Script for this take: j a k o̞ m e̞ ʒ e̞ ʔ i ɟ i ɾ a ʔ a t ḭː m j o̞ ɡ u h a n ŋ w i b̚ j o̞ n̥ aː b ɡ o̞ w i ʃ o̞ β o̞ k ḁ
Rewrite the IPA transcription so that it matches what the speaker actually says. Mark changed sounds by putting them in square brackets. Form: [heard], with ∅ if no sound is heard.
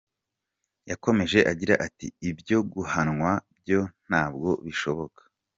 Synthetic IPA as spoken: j a k o̞ m e̞ ʒ e̞ ʔ [a] ɟ i ɾ a ʔ a t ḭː [b] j o̞ ɡ u h a n ŋ w [a] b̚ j o̞ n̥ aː b ɡ o̞ [β] i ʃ o̞ β o̞ k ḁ